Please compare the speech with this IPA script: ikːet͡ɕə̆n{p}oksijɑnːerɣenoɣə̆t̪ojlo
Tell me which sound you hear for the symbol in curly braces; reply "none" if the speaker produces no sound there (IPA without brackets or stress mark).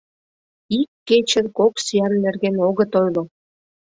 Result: k